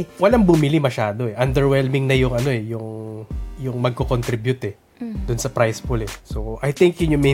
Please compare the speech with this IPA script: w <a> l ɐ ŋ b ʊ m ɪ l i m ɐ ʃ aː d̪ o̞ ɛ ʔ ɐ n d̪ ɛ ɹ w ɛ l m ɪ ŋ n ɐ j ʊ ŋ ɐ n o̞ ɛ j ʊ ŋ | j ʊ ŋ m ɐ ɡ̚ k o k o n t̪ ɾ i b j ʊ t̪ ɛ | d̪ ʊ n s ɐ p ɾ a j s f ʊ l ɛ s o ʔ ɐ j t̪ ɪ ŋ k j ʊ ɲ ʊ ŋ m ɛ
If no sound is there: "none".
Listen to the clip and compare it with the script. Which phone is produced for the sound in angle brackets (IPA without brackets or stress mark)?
ɐ